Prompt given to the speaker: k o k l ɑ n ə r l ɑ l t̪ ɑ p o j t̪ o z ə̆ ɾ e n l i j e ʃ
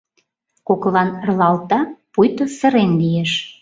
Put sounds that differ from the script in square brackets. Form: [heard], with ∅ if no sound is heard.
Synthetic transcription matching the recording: k o k l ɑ n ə r l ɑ l t̪ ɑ p [u] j t̪ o [s] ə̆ ɾ e n l i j e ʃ